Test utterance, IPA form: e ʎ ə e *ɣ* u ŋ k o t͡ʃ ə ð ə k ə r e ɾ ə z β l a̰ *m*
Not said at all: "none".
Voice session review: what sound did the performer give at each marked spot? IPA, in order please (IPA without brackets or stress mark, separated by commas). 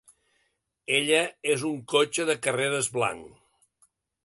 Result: z, ŋ